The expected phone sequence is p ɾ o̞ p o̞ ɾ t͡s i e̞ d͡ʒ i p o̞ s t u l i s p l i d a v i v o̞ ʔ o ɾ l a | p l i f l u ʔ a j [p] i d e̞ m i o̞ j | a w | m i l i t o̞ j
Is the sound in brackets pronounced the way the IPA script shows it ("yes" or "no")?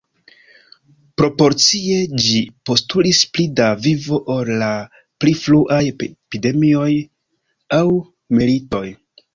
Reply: yes